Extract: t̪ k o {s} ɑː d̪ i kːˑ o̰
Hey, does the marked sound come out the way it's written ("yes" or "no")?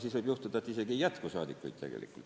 yes